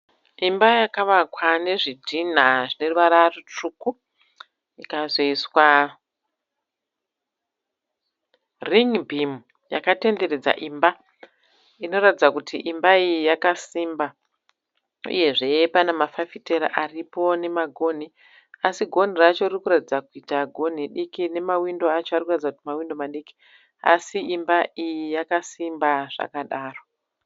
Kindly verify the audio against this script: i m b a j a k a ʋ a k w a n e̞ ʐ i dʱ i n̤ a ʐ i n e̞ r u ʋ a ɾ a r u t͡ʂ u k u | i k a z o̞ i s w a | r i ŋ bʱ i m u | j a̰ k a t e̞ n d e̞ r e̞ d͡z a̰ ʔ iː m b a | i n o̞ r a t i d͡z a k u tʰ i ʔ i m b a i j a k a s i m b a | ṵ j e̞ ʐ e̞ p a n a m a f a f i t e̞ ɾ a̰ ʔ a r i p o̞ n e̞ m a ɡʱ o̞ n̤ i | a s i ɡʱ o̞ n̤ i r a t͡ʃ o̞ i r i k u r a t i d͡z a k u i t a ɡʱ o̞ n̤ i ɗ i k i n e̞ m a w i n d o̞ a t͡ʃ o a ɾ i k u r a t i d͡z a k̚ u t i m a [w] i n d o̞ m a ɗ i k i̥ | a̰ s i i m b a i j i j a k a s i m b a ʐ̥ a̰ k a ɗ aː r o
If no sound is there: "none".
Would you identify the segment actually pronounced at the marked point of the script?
w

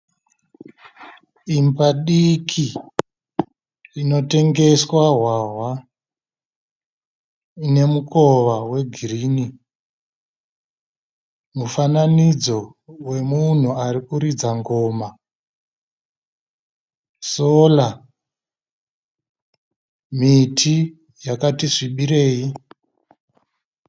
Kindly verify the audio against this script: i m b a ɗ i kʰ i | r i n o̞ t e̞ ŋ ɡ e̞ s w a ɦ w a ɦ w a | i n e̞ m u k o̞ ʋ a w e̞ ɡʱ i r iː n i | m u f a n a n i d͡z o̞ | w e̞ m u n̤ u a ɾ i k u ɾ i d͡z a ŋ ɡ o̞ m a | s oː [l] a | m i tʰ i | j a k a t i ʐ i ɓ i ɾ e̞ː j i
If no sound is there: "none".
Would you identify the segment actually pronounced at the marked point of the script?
l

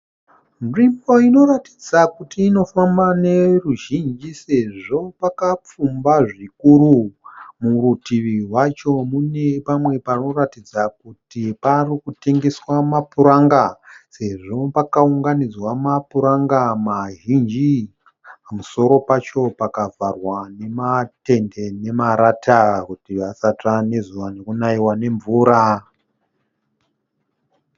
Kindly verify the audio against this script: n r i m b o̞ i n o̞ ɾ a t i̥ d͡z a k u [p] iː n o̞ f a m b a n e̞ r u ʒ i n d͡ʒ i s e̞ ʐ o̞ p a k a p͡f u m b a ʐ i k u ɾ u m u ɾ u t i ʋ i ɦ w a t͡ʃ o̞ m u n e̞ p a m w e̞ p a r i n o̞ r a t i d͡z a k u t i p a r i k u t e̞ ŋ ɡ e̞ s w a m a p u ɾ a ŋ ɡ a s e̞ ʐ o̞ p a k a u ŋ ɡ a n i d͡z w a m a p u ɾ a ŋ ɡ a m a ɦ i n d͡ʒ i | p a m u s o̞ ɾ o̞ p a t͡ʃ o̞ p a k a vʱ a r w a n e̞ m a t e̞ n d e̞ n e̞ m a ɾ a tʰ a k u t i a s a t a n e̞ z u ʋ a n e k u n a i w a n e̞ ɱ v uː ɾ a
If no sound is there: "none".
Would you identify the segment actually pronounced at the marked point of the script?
t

